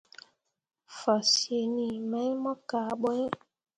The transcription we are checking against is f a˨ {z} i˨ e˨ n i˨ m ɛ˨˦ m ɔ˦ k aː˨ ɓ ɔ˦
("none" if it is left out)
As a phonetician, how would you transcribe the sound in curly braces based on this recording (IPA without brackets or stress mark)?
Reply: s